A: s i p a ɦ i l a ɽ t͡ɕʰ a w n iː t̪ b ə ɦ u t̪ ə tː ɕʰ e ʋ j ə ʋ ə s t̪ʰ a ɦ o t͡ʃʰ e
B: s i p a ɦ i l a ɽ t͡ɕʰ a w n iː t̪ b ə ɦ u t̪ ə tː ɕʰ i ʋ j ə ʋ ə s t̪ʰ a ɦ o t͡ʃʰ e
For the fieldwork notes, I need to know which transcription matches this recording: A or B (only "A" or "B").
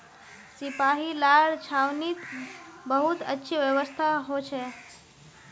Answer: B